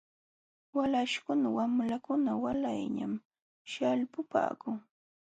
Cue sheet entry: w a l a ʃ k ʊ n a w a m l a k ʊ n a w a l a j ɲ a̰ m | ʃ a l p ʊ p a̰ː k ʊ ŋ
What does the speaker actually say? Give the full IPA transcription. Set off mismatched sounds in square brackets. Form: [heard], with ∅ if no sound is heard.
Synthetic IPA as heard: w a l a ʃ k ʊ n a w a m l a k ʊ n a w a l a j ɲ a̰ m | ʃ a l p ʊ p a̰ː k ʊ ŋ